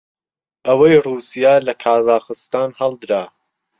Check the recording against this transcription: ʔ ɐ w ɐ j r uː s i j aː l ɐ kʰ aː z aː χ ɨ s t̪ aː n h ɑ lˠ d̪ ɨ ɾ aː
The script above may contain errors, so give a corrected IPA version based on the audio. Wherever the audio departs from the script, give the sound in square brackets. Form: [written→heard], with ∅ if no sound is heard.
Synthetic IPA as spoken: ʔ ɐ w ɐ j r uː s i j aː l ɐ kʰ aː z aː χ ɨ s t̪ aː n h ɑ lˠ d̪ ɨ ɾ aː